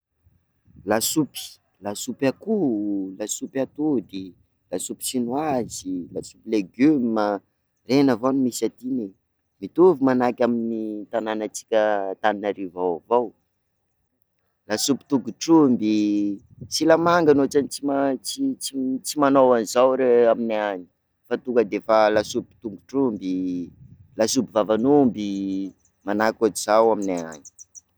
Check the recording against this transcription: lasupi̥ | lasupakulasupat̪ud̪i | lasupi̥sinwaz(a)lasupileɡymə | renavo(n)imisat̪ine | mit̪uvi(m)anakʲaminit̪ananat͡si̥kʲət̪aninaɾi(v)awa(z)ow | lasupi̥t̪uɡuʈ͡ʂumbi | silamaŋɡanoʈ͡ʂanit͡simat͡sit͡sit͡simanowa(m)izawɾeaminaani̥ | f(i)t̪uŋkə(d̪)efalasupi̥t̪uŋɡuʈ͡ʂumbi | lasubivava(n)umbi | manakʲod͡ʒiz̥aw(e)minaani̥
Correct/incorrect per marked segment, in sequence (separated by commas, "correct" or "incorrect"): incorrect, correct, correct, correct, incorrect, incorrect, incorrect, correct, correct, incorrect